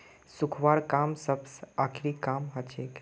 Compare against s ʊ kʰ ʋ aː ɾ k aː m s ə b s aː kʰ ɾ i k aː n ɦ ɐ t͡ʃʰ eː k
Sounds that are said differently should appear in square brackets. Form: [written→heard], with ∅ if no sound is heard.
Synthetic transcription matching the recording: s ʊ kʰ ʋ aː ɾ k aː m s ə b s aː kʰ ɾ i k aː [n→m] ɦ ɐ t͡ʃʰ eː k